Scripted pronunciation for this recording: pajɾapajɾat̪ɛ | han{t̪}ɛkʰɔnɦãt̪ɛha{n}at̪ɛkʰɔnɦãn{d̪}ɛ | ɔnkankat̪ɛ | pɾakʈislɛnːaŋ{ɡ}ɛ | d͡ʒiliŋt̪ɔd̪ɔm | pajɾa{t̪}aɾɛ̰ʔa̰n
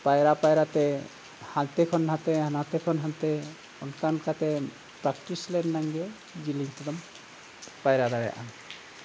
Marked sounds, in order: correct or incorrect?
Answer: correct, correct, incorrect, correct, incorrect

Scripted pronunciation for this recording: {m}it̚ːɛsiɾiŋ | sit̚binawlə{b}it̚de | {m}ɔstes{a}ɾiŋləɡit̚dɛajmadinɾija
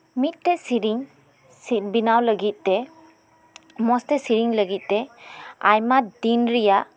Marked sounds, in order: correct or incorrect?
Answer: correct, incorrect, correct, incorrect

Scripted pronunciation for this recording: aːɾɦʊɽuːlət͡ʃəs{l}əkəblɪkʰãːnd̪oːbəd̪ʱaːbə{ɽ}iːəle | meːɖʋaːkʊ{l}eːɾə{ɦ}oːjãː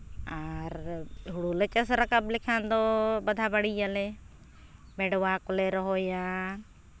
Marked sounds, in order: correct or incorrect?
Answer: incorrect, correct, correct, correct

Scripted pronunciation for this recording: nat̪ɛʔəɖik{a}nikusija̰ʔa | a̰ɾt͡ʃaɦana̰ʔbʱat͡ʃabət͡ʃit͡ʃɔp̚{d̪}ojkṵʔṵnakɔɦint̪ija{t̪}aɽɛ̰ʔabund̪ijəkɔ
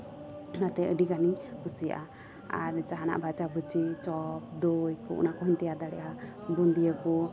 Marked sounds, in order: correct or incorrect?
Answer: correct, correct, incorrect

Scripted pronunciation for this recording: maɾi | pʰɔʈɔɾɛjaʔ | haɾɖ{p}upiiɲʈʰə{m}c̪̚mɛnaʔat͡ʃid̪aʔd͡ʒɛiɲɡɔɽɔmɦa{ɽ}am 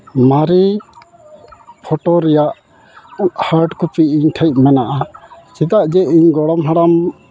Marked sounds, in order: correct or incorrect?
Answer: incorrect, incorrect, correct

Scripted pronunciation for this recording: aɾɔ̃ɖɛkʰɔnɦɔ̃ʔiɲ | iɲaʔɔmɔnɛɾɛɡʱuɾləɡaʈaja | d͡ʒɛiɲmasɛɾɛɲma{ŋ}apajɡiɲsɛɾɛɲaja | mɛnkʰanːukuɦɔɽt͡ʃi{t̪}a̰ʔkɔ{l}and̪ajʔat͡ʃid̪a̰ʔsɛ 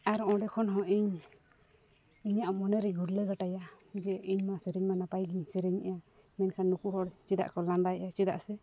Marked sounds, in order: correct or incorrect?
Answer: incorrect, incorrect, correct

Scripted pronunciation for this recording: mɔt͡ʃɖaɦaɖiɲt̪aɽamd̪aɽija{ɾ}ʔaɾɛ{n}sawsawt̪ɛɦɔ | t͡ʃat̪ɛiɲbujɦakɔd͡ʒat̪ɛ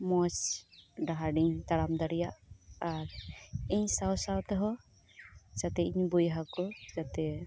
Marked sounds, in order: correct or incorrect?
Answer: incorrect, incorrect

